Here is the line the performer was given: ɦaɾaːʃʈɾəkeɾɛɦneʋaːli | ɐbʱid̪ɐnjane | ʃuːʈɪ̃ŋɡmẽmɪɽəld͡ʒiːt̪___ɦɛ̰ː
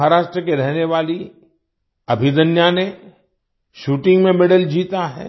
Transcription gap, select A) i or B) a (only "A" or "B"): B